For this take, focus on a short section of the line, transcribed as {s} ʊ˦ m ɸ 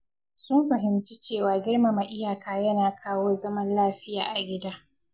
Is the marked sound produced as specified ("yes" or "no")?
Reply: yes